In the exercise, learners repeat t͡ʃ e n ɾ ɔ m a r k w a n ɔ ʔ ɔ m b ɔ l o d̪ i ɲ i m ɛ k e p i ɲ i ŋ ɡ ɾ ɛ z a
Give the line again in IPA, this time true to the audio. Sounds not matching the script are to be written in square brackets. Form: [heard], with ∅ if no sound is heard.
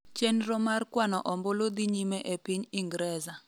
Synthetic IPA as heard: t͡ʃ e n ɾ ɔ m a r k w a n ɔ ʔ ɔ m b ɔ l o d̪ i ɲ i m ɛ [ʔ] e p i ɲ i ŋ ɡ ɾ ɛ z a